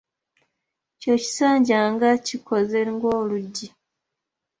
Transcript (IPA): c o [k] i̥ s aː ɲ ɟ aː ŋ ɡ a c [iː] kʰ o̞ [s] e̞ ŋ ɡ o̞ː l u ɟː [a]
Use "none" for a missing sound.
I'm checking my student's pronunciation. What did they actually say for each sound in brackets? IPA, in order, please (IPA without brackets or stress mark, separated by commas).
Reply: c, i, z, i